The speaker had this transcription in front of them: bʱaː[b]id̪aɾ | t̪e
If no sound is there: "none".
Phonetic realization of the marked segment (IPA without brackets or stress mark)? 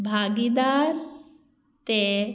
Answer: ɡ